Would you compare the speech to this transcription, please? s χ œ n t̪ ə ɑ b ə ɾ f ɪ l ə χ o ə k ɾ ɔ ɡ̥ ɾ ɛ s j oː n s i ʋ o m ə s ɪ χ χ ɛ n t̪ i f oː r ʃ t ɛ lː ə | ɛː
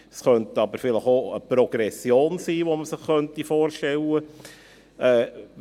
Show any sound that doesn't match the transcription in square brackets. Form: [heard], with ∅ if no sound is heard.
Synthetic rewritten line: s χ œ n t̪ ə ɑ b ə ɾ f ɪ l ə χ o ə [p] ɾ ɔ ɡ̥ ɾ ɛ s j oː n s [iː] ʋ o m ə s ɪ χ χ [œ] n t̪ i f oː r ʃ t ɛ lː ə | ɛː